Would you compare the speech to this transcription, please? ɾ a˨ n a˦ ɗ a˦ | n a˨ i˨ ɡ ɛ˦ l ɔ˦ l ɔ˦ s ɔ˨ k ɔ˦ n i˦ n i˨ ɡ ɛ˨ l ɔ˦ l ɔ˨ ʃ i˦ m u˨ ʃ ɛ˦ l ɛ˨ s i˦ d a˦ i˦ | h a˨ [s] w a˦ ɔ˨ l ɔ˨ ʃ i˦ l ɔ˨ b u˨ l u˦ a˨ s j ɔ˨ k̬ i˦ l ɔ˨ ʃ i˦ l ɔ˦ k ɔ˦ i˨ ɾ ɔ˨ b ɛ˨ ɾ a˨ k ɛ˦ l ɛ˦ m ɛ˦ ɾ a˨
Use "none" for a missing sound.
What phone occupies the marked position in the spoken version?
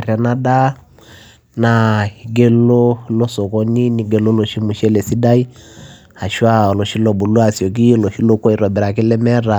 ʃ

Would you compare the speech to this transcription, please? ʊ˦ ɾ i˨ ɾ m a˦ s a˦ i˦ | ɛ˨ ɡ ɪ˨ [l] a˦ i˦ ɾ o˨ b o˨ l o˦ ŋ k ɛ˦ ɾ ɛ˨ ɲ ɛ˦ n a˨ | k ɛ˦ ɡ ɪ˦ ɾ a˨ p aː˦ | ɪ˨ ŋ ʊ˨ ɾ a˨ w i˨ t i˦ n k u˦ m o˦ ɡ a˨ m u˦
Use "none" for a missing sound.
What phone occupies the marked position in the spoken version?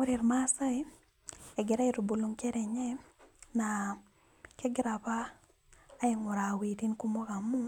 ɾ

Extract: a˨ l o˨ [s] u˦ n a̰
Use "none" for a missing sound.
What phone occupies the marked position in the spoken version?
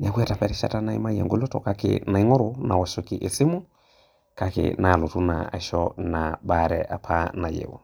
t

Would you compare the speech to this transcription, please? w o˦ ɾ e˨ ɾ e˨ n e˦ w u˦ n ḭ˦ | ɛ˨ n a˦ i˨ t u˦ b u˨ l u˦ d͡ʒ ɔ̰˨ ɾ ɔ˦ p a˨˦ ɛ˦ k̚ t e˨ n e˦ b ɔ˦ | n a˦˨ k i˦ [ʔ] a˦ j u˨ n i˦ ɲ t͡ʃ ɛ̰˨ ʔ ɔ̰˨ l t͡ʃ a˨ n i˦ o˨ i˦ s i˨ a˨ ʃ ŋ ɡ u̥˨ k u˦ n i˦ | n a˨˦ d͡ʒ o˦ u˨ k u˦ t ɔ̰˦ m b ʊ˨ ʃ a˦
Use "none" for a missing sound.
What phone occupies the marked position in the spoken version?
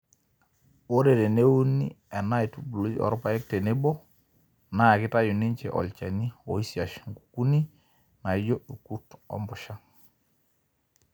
t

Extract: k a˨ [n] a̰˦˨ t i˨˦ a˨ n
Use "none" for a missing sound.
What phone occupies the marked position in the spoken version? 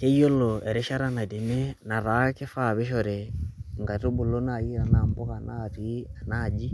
n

